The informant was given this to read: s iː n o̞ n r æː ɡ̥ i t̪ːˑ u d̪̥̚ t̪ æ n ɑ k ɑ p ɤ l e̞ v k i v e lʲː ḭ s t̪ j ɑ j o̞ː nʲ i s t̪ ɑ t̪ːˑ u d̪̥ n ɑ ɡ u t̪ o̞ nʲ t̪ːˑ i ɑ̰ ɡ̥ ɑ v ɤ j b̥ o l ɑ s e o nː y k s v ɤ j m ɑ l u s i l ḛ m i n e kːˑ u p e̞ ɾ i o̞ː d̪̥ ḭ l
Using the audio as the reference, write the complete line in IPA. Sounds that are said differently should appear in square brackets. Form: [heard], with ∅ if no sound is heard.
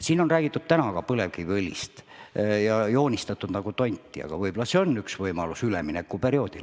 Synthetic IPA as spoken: s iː n o̞ n r æː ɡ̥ i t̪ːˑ u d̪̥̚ t̪ æ n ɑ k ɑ p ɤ l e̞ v k i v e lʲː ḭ s t̪ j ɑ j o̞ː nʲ i s t̪ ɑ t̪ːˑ u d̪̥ n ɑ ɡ u t̪ o̞ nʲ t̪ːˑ i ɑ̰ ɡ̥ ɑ v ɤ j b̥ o l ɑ s e o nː y k s v ɤ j m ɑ l u s [y] l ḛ m i n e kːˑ u p e̞ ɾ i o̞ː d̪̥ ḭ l

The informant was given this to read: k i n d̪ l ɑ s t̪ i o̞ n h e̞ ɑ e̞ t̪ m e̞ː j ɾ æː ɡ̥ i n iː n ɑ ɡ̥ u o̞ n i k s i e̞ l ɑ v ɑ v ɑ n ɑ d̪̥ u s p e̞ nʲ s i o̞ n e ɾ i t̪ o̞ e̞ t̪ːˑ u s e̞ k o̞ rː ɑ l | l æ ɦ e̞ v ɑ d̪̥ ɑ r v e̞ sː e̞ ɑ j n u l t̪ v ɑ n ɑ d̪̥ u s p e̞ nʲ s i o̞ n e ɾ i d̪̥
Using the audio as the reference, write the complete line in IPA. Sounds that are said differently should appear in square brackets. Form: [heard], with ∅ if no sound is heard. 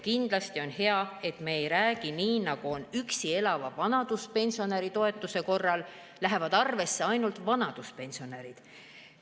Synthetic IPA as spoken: k i n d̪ l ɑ s t̪ i o̞ n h e̞ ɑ e̞ t̪ m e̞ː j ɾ æː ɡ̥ i n iː n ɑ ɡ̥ u o̞ n [y] k s i e̞ l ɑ v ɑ v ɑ n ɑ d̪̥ u s p e̞ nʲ s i o̞ n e ɾ i t̪ o̞ e̞ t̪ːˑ u s e̞ k o̞ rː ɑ l | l æ ɦ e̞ v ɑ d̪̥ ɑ r v e̞ sː e̞ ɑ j n u l t̪ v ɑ n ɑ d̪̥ u s p e̞ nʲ s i o̞ n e ɾ i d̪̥

